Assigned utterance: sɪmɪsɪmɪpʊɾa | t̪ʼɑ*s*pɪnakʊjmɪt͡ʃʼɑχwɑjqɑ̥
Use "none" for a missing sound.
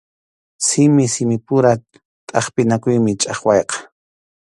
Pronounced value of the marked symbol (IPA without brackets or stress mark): χ